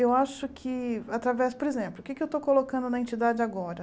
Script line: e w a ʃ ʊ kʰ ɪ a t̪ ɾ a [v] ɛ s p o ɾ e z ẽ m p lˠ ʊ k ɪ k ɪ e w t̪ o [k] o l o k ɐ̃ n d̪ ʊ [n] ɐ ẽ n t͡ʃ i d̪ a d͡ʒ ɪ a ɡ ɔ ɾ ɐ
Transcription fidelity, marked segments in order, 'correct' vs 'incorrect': correct, correct, correct

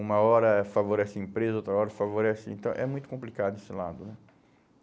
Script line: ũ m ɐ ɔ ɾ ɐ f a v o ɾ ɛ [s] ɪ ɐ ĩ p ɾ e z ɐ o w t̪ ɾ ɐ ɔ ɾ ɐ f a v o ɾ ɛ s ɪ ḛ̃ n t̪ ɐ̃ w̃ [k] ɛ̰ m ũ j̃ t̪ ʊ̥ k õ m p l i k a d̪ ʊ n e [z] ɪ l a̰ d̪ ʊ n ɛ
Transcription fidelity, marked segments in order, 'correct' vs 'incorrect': correct, incorrect, incorrect

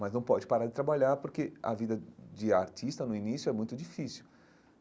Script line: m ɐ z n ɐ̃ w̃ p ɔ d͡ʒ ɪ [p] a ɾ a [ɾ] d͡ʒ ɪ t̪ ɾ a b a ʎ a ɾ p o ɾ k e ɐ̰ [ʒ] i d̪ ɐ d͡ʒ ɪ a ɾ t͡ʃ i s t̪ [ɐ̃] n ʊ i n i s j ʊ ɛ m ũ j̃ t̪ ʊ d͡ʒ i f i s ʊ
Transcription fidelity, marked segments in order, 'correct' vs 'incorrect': correct, correct, incorrect, incorrect

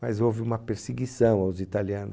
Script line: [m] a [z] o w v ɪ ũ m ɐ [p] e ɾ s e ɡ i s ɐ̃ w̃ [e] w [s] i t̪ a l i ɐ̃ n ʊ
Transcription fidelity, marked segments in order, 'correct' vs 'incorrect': correct, correct, correct, incorrect, incorrect

